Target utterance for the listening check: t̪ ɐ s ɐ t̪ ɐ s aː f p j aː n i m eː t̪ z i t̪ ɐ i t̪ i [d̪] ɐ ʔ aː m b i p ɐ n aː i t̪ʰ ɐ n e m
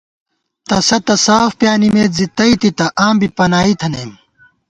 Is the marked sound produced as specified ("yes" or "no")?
no